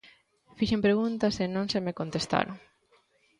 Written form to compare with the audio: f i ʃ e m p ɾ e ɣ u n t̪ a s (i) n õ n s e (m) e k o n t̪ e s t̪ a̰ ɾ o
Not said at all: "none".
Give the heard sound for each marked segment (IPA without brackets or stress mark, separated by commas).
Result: e, m